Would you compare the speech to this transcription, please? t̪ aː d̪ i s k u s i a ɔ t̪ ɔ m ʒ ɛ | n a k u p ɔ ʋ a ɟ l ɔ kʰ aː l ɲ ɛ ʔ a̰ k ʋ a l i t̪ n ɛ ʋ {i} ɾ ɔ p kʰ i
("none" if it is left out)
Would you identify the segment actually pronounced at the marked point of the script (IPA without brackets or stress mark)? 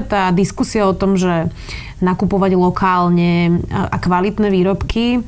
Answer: iː